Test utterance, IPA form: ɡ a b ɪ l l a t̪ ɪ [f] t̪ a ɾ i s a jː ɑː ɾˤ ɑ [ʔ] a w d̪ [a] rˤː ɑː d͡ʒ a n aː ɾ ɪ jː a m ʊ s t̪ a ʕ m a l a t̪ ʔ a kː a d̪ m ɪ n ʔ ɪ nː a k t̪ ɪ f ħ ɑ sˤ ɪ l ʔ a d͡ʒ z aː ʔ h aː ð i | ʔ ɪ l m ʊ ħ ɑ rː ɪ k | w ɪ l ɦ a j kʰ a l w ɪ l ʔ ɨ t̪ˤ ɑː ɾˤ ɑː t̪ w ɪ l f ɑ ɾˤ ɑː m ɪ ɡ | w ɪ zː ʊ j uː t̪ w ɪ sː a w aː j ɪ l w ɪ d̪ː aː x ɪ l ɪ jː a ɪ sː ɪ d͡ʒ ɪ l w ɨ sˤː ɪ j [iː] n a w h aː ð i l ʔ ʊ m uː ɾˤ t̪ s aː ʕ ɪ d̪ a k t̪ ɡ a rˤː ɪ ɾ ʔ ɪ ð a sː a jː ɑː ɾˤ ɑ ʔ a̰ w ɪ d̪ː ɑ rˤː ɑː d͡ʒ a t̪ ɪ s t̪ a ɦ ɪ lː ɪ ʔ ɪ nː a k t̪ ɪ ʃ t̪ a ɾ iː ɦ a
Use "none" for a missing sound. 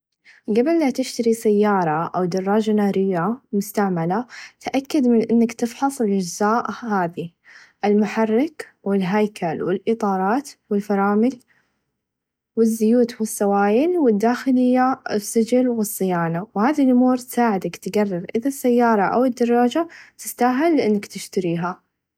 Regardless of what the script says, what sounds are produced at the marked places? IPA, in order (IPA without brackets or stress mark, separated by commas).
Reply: ʃ, ʔ, ɑ, aː